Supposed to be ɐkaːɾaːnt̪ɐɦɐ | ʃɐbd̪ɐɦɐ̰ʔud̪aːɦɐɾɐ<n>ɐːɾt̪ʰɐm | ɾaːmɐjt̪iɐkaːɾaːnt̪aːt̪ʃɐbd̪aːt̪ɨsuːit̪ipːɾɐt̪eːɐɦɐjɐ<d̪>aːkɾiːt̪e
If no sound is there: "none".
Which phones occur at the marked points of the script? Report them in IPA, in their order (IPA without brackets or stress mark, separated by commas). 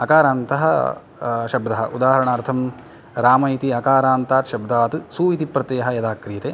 ɳ, d̪